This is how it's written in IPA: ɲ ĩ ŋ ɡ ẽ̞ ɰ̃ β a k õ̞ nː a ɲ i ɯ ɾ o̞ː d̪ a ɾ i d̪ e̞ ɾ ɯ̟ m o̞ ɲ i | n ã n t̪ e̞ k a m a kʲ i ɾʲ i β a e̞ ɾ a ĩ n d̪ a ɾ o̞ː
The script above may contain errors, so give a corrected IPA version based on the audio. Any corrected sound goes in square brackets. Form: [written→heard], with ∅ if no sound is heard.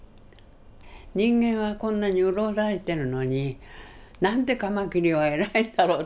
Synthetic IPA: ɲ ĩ ŋ ɡ ẽ̞ ɰ̃ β a k õ̞ nː a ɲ i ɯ ɾ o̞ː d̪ a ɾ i [d̪→t̪] e̞ ɾ ɯ̟ [m→n] o̞ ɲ i | n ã n t̪ e̞ k a m a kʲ i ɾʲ i β a e̞ ɾ a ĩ n d̪ a ɾ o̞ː